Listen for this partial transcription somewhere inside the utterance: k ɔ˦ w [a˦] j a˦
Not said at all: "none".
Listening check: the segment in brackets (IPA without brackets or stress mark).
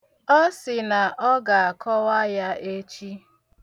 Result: a˦